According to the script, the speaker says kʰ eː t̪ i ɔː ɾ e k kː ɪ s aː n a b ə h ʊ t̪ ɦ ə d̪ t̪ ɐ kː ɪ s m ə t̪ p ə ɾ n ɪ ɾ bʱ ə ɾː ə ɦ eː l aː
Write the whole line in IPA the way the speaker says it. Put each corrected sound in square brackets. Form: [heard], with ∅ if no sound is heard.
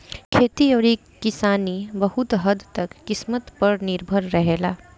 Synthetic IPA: kʰ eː t̪ i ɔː ɾ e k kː ɪ s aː n [i] b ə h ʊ t̪ ɦ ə d̪ t̪ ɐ kː ɪ s m ə t̪ p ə ɾ n ɪ ɾ bʱ ə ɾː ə ɦ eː l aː